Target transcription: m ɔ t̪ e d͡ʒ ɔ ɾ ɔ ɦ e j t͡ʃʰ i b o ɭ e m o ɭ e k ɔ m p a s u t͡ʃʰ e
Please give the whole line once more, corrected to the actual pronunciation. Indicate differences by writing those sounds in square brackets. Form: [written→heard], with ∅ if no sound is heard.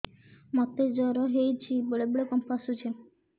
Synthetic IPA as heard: m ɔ t̪ e d͡ʒ ɔ ɾ ɔ ɦ e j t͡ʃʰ i b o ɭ e [m→b] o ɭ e k ɔ m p a s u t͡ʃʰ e

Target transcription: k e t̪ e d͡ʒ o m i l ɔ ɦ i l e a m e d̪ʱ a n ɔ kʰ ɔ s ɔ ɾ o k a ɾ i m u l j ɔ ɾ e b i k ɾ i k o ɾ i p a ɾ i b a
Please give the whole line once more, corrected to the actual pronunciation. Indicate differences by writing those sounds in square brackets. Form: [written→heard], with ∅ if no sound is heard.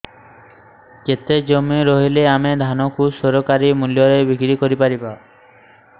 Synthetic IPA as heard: k e t̪ e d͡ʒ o m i [l→ɾ] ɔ ɦ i l e a m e d̪ʱ a n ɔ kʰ [ɔ→u] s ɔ ɾ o k a ɾ i m u l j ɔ ɾ e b i k ɾ i k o ɾ i p a ɾ i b a

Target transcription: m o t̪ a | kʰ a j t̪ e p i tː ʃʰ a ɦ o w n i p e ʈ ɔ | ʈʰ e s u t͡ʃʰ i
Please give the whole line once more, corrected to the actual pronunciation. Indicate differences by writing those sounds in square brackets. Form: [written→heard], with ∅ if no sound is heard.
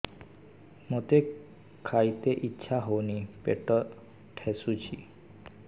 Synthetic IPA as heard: m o t̪ [a→e] | kʰ a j t̪ e [p→ʔ] i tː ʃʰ a ɦ o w n i p e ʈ ɔ | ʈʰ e s u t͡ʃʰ i

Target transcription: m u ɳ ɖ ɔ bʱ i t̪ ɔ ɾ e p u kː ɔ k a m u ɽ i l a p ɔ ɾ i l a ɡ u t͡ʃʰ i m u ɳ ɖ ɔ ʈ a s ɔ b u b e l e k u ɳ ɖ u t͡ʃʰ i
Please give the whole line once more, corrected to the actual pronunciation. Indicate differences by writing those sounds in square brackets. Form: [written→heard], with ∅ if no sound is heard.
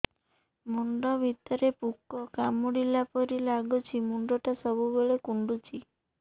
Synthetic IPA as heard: m u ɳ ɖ ɔ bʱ i t̪ ɔ ɾ e p u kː ɔ k a m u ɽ i l a p ɔ ɾ i l a ɡ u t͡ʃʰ i m u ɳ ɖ ɔ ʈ a s ɔ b u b e [l→ɭ] e k u ɳ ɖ u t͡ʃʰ i

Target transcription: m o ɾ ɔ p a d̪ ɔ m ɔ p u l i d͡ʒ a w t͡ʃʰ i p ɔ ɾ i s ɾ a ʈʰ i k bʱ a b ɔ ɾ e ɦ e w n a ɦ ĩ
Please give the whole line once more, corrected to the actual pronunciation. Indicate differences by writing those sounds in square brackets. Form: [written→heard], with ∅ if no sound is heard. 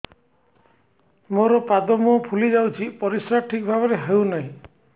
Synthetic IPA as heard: m o ɾ ɔ p a d̪ ɔ m ɔ [p→pʰ] u l i d͡ʒ a w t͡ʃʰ i p ɔ ɾ i s ɾ a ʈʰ i k bʱ a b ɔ ɾ e ɦ e w n a ɦ ĩ

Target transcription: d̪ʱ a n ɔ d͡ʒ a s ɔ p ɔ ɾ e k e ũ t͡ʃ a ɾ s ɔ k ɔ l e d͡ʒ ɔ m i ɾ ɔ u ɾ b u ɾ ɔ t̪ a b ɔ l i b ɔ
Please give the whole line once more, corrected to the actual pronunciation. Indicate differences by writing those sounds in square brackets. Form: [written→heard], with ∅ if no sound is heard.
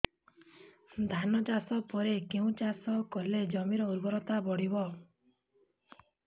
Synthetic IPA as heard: d̪ʱ a n ɔ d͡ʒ a s ɔ p ɔ ɾ e k e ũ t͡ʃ a [ɾ→∅] s ɔ k ɔ l e d͡ʒ ɔ m i ɾ ɔ u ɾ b [u→ɔ] ɾ ɔ t̪ a b ɔ [l→ɽ] i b ɔ

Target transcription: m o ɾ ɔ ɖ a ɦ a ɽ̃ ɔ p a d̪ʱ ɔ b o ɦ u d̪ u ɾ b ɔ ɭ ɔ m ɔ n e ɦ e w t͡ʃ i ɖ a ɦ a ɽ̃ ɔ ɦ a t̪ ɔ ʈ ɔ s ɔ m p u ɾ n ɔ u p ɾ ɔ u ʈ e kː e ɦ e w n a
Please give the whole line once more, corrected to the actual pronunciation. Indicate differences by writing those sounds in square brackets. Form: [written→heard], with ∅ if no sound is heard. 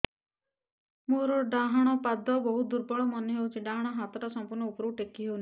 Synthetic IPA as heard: m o ɾ ɔ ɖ a ɦ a ɽ̃ ɔ p a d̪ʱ ɔ b [o→ɔ] ɦ u d̪ u ɾ b ɔ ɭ ɔ m ɔ n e ɦ e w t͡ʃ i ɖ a ɦ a ɽ̃ ɔ ɦ a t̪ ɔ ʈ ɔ s ɔ m p u ɾ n ɔ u p ɾ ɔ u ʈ e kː [e→i] ɦ e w n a

